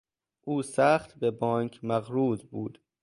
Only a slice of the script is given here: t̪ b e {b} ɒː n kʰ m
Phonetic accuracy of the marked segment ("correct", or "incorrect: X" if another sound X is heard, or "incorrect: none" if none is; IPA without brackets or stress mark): correct